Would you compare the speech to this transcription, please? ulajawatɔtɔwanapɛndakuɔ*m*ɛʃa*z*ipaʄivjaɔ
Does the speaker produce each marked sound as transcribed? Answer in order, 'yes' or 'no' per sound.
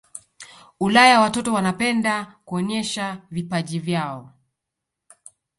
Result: no, no

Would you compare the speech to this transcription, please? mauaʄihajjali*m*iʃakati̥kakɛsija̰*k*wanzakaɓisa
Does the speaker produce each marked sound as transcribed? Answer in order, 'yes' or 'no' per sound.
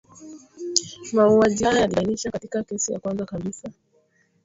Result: no, yes

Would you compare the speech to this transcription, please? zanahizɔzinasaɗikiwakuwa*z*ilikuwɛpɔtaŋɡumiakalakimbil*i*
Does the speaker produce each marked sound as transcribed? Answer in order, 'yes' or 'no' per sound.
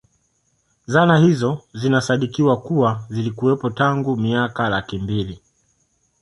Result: yes, yes

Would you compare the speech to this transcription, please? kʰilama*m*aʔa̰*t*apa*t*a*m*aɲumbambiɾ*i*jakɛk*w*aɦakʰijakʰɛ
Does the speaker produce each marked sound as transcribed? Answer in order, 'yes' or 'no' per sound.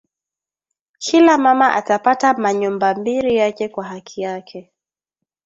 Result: yes, yes, yes, yes, yes, yes

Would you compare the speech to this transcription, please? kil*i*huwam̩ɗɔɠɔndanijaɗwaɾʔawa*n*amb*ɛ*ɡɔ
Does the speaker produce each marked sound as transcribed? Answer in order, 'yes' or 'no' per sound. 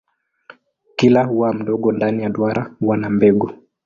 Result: no, yes, yes

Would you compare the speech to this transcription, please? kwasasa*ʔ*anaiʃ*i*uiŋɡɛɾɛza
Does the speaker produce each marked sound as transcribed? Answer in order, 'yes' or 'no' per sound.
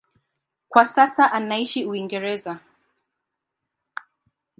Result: yes, yes

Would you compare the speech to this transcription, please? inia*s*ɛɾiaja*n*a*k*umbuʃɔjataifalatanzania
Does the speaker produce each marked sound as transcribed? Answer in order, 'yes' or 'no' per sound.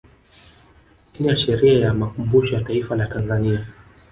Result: no, no, yes

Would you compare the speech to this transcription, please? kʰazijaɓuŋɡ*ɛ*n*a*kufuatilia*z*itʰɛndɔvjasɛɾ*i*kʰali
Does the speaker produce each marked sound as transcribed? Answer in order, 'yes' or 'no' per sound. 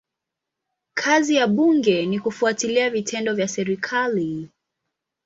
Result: yes, no, no, yes

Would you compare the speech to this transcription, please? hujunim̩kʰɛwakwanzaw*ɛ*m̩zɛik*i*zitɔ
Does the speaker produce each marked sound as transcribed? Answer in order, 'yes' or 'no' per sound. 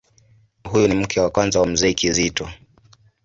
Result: no, yes

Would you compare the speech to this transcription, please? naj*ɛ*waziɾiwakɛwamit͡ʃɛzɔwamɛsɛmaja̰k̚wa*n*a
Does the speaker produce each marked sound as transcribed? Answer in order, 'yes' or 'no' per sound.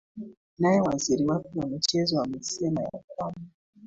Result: yes, no

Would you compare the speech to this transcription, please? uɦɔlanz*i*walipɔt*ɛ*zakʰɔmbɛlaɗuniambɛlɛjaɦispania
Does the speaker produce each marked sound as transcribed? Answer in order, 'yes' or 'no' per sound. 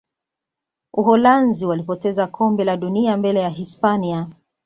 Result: yes, yes

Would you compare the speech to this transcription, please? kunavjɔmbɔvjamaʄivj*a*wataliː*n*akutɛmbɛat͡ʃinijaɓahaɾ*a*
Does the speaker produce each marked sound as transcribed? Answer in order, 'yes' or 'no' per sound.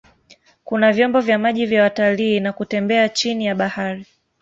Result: yes, yes, no

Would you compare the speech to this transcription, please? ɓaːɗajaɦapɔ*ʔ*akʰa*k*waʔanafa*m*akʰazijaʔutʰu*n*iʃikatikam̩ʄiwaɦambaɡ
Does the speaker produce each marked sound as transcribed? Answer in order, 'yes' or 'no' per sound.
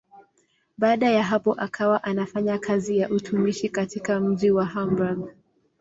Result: yes, no, no, no

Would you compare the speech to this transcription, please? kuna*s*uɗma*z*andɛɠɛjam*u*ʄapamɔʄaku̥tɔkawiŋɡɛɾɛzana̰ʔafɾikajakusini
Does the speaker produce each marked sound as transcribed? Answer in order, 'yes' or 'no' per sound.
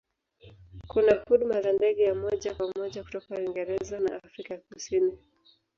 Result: no, yes, no

